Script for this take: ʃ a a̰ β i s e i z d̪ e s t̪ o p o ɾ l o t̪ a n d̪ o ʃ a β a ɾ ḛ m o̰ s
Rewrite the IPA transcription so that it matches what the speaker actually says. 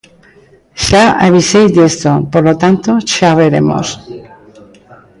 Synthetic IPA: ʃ a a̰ β i s e j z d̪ e s t̪ o p o ɾ l o t̪ a n t̪ o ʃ a β e ɾ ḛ m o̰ s